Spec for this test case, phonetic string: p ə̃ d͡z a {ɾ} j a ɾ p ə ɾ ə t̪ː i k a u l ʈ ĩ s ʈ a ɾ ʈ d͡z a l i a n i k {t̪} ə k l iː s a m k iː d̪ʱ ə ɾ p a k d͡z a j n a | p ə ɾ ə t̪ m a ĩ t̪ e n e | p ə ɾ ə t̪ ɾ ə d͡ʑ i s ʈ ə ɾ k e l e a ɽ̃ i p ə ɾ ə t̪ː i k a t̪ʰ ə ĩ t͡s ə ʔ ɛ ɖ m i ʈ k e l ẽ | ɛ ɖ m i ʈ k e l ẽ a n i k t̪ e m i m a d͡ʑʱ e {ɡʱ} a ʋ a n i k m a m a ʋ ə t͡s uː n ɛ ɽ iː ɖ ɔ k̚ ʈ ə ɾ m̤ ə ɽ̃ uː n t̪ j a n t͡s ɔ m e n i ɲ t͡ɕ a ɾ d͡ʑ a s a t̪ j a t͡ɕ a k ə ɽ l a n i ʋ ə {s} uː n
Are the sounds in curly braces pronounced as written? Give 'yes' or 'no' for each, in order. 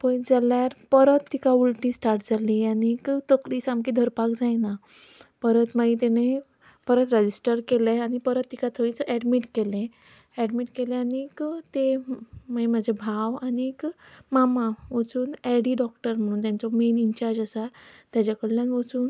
no, yes, no, no

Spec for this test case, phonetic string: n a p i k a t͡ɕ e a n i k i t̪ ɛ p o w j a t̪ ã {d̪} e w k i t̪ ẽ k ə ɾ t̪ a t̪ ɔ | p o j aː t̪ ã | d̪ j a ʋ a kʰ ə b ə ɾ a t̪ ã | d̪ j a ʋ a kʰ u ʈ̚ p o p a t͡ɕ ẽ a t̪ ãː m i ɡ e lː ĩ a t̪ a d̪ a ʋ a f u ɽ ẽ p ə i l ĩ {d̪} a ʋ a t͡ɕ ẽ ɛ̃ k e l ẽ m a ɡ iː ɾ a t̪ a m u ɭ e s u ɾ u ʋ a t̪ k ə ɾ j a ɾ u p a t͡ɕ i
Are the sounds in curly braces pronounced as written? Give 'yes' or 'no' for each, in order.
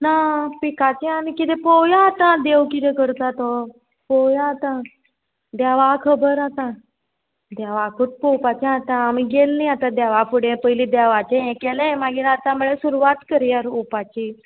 yes, yes

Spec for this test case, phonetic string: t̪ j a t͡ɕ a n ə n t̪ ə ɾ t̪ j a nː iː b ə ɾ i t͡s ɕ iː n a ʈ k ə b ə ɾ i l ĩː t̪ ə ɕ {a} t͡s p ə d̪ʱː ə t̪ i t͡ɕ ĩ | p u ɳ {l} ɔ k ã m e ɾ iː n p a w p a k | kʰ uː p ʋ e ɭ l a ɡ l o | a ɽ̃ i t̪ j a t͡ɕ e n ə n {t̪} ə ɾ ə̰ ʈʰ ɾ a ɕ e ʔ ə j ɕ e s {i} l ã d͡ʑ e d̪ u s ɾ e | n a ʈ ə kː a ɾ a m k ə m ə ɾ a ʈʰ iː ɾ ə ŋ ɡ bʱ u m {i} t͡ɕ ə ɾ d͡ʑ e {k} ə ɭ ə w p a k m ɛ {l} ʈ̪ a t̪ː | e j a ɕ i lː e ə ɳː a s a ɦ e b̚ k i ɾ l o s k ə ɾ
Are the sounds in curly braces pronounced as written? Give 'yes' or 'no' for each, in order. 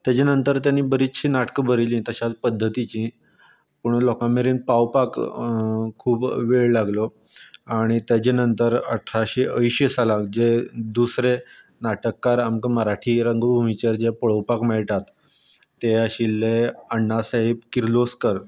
yes, yes, yes, no, yes, no, no

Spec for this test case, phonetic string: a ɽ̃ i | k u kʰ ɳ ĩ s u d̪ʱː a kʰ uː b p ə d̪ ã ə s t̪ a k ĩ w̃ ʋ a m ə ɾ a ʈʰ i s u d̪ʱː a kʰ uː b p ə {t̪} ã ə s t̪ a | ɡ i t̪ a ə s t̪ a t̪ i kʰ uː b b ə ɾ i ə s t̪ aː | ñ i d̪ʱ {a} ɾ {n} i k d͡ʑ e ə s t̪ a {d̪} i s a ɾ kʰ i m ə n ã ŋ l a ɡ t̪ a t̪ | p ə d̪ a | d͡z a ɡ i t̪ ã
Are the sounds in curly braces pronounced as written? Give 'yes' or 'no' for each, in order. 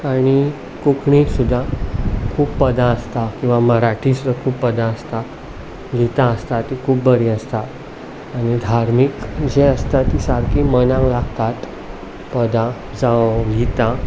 no, yes, no, no

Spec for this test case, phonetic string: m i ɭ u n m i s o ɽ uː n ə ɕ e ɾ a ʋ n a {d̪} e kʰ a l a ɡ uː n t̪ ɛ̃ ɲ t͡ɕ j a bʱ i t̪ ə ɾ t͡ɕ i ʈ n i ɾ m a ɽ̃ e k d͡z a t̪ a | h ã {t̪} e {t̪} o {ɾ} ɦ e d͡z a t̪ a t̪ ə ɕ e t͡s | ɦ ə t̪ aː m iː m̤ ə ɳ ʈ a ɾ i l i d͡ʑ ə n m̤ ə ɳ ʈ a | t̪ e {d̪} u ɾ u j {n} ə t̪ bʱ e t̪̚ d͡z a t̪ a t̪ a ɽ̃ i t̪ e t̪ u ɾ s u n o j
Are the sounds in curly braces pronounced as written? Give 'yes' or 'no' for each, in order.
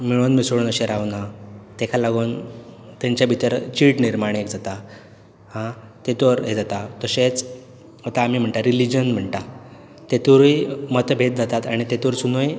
no, yes, yes, yes, no, no

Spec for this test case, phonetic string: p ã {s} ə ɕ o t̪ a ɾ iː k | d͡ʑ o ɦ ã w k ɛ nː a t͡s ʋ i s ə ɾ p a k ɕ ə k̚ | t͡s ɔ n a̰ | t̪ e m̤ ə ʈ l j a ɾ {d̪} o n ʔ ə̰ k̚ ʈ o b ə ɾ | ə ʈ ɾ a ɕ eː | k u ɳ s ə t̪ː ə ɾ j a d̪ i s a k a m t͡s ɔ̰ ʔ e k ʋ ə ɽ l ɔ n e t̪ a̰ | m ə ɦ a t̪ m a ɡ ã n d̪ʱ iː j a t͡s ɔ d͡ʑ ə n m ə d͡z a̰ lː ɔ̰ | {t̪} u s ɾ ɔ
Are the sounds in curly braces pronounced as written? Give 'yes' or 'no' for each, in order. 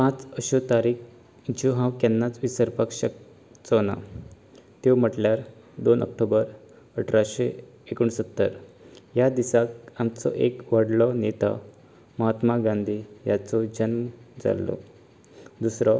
no, yes, no

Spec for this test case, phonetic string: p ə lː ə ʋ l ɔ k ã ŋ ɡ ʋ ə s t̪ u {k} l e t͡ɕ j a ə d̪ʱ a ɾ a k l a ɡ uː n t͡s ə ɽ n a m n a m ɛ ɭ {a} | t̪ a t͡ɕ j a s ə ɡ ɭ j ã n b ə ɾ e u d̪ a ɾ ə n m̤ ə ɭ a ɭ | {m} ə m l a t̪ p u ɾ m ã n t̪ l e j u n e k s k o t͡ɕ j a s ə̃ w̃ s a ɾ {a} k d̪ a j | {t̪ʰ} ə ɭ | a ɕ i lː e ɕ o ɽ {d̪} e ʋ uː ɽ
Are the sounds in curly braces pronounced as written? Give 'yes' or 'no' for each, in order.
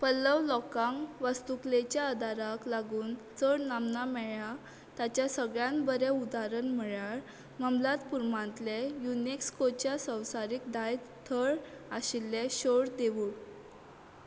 yes, yes, yes, no, yes, yes

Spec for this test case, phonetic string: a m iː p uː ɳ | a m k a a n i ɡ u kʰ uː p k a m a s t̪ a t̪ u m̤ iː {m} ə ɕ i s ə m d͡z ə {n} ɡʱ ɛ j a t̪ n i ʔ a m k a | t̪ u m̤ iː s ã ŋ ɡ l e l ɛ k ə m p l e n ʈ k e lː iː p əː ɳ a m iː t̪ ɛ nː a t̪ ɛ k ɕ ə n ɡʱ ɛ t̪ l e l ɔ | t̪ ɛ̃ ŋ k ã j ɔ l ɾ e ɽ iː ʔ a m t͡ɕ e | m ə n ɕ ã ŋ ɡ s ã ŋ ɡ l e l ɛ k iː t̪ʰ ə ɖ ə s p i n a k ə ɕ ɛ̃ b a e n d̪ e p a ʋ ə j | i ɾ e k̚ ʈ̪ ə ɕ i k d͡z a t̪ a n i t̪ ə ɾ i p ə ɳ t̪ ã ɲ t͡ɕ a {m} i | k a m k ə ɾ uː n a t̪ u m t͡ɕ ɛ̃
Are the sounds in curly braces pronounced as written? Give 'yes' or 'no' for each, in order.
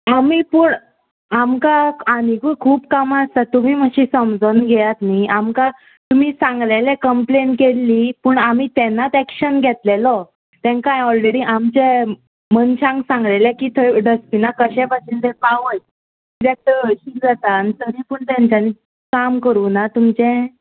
yes, yes, no

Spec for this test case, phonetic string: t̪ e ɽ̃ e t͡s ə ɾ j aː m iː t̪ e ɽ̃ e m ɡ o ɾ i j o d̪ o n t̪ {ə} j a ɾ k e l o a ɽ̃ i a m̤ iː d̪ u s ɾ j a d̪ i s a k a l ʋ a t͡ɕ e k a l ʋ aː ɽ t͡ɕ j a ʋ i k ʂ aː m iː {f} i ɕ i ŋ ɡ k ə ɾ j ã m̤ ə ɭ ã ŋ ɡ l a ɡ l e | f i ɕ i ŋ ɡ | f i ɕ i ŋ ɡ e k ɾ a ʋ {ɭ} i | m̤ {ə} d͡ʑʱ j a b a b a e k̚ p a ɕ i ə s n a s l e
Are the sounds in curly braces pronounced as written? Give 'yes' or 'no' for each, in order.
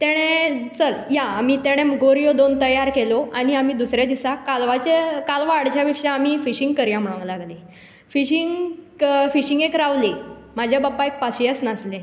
yes, yes, no, no

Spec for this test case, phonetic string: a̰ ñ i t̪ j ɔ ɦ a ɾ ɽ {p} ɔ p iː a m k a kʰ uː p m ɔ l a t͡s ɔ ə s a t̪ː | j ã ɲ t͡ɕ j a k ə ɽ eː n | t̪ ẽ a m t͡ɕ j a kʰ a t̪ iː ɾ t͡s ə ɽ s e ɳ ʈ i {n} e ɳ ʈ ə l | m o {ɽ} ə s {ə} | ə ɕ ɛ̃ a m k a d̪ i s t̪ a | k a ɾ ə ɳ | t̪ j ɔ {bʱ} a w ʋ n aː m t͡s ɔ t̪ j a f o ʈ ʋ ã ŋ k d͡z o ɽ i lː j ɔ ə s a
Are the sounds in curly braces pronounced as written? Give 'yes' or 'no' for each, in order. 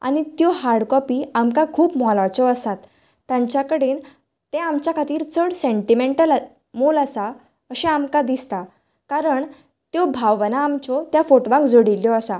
no, no, no, no, yes

